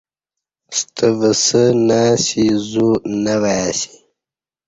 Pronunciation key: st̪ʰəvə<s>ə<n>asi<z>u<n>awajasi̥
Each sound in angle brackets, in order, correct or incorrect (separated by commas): correct, correct, correct, correct